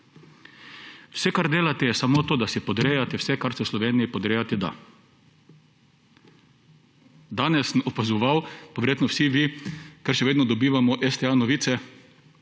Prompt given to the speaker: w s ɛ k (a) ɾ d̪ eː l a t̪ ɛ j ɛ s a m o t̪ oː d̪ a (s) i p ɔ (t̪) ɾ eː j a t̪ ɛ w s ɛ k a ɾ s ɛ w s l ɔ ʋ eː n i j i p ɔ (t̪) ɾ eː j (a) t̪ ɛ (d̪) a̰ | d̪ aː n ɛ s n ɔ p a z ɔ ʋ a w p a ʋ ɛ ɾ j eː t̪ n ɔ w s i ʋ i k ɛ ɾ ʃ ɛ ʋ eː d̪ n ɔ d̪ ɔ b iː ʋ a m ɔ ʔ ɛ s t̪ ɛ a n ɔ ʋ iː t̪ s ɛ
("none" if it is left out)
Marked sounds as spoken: a, s, d̪, d̪, a, d̪

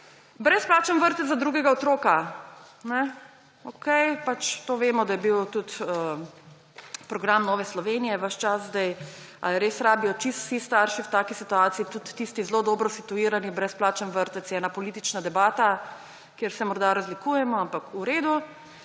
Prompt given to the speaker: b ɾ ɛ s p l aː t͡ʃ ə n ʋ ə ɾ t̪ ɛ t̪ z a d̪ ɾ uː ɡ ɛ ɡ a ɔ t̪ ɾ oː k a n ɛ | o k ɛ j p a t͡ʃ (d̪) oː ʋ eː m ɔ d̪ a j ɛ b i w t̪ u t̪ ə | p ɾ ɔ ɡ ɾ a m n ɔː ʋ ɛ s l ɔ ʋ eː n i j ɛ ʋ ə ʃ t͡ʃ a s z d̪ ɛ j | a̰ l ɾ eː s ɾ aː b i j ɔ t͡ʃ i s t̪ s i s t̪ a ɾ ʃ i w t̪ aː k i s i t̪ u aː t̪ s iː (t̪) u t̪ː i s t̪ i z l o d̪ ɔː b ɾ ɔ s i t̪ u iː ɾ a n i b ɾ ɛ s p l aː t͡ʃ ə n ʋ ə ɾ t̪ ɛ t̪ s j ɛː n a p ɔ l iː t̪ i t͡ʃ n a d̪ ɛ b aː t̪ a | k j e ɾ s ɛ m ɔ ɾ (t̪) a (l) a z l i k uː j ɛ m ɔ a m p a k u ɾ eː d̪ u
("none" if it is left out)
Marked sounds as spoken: t̪, t̪, d̪, ɾ

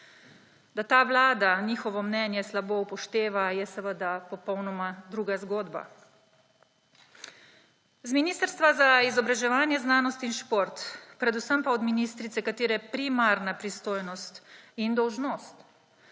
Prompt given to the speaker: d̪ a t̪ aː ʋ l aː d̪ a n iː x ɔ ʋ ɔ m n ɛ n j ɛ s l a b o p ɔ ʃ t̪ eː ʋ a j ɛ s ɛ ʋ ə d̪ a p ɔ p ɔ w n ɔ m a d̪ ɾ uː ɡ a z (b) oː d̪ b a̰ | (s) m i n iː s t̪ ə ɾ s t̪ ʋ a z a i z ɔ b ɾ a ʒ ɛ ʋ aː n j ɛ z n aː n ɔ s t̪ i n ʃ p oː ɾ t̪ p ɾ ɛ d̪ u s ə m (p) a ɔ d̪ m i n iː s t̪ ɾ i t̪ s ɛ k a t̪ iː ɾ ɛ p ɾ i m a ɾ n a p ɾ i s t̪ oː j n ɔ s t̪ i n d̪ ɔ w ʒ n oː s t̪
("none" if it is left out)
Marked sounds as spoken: ɡ, z, p

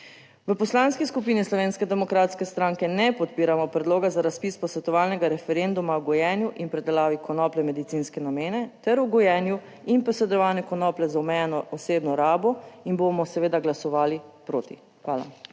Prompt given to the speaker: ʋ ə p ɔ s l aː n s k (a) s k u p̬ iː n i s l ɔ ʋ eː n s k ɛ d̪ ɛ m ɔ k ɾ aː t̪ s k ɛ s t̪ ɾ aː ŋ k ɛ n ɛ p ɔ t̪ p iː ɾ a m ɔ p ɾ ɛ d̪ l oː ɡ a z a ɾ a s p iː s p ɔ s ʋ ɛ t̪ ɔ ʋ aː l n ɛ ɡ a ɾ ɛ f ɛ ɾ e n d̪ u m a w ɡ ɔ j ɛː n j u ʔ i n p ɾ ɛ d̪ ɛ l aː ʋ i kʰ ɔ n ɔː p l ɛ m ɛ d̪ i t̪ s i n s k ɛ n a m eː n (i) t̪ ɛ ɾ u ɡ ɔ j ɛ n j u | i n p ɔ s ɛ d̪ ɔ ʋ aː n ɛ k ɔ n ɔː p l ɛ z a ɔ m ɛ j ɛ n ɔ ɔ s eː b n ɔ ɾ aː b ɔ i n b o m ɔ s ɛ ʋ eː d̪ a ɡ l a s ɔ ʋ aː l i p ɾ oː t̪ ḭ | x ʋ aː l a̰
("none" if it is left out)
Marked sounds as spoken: i, ɛ

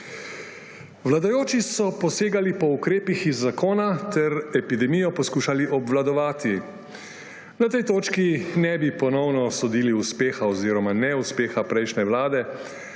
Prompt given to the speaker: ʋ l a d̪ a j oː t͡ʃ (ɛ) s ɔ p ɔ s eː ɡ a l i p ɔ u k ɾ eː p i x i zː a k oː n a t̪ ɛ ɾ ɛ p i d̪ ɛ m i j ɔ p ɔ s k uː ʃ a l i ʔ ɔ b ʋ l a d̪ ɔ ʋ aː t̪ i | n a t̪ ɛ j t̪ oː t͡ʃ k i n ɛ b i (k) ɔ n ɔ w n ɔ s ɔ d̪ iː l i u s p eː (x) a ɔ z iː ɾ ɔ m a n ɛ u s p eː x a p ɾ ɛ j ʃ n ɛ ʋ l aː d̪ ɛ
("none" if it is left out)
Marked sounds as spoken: i, p, x

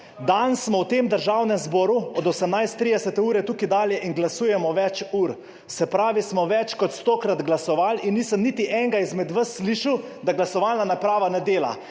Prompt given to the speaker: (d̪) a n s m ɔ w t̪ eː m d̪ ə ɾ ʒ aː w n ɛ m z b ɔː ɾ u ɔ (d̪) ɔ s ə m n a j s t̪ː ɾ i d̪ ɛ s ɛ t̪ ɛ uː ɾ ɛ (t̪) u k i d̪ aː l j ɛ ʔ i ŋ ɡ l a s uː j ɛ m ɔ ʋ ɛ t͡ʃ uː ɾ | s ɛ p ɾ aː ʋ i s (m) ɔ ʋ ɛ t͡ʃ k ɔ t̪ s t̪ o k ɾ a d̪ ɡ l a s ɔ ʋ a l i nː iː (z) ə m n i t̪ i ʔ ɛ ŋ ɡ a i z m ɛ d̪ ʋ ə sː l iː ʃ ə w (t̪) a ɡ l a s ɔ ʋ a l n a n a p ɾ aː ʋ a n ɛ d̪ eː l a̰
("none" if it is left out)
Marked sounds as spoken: d̪, d̪, t̪, m, s, d̪

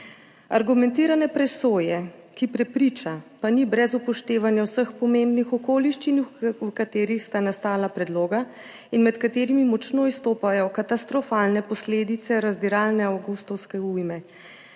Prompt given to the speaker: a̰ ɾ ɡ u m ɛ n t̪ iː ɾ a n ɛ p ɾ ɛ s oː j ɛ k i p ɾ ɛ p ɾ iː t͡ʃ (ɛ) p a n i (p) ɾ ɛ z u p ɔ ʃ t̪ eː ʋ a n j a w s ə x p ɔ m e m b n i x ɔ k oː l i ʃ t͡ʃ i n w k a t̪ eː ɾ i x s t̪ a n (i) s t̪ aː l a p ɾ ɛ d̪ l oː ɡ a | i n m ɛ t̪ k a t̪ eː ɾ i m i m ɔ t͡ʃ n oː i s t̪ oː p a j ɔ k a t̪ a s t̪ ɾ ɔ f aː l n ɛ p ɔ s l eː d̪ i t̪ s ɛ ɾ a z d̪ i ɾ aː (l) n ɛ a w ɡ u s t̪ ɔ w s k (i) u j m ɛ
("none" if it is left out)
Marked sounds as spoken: a, b, a, l, ɛ

